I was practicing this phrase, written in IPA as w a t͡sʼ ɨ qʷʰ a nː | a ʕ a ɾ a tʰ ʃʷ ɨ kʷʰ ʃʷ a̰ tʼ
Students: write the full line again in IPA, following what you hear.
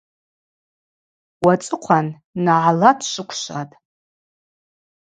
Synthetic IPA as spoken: w a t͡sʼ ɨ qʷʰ a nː | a ʕ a l a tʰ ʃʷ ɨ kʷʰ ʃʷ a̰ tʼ